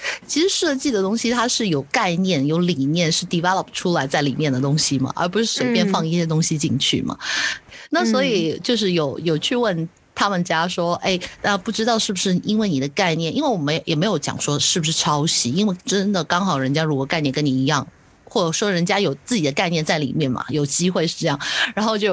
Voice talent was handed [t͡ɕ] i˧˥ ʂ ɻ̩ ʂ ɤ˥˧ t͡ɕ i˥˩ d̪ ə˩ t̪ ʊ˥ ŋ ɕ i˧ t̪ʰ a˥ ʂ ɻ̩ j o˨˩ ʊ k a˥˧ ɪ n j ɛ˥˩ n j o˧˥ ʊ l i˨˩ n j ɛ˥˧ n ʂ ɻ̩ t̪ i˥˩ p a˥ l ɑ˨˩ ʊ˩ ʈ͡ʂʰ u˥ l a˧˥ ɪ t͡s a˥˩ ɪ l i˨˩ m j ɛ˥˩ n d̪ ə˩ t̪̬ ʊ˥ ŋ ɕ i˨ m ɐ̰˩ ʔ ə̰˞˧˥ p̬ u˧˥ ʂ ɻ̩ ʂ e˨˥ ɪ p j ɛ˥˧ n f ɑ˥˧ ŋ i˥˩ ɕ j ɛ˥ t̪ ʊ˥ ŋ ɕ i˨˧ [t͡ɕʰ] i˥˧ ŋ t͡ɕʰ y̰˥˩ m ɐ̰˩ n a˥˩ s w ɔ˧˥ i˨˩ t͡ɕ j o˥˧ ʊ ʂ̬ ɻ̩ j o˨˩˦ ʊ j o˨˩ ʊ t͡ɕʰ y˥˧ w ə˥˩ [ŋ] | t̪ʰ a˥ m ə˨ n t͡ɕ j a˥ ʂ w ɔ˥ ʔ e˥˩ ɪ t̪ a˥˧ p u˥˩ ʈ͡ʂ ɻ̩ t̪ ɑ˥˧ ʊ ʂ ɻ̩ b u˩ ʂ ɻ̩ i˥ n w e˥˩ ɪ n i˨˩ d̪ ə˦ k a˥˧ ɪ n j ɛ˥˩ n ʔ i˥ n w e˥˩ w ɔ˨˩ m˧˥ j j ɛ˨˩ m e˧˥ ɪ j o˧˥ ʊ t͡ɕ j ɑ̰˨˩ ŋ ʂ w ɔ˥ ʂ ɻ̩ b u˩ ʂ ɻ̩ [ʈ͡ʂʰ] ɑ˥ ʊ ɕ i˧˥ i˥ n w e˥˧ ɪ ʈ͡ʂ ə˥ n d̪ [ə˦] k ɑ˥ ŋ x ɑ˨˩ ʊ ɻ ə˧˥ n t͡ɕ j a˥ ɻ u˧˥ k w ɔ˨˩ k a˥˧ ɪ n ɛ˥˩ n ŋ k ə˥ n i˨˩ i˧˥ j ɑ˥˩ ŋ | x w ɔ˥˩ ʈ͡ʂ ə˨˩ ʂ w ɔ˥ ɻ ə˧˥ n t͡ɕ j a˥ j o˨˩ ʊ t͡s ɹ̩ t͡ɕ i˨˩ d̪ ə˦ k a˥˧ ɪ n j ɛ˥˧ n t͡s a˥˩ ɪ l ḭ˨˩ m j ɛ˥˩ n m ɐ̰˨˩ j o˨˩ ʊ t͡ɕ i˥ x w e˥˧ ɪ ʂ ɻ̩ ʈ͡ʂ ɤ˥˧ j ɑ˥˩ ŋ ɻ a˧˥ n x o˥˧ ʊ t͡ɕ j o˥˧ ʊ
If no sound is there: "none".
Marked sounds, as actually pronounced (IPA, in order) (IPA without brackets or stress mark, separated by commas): t͡ɕʰ, t͡ɕ, n, ʈ͡ʂʰ, ə˨